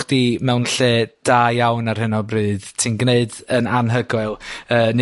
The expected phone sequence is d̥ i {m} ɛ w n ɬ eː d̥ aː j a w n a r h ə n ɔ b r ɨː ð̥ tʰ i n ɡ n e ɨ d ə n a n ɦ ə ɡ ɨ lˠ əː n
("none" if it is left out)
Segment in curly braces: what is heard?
m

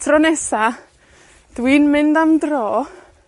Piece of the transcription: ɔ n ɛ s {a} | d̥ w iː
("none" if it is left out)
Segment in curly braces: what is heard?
a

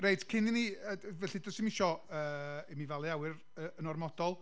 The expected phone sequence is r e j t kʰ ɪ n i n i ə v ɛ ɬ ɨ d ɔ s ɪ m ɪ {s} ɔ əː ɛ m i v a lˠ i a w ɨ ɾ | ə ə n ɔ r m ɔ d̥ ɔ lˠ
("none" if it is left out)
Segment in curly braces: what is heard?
ʃ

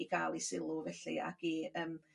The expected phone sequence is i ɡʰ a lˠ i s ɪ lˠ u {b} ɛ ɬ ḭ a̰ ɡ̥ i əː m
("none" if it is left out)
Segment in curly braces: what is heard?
v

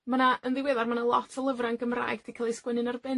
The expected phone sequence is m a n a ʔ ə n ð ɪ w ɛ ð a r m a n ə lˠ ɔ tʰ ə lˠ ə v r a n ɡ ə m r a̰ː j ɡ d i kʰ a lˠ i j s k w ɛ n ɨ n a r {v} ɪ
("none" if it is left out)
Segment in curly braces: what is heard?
b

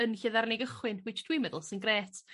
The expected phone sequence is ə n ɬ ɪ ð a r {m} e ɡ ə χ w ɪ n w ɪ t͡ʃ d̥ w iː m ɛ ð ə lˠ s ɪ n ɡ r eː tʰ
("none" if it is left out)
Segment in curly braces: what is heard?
n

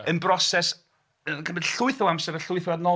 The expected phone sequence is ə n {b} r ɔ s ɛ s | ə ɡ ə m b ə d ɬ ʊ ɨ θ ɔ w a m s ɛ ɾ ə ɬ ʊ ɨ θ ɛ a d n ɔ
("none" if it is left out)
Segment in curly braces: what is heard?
b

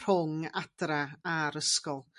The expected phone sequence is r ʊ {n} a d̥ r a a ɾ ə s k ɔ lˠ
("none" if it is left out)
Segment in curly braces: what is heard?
ŋ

